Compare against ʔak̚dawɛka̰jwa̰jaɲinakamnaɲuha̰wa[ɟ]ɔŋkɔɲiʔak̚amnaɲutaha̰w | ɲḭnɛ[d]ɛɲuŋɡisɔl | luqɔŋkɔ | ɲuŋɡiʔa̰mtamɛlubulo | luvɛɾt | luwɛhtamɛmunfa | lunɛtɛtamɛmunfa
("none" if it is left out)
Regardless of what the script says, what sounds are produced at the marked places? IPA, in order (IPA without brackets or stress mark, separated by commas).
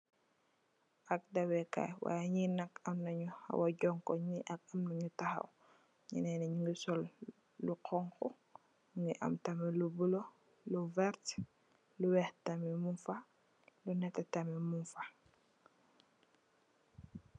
ɟ, n